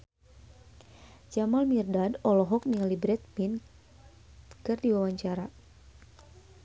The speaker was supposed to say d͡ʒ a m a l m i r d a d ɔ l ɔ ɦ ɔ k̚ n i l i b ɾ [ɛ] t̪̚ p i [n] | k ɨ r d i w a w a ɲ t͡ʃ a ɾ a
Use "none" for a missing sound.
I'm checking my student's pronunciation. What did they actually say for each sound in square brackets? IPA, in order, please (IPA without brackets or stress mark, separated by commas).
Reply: ɛ, n